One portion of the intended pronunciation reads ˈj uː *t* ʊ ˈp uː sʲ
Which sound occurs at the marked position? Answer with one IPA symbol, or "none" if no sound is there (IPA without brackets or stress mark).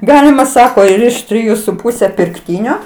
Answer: s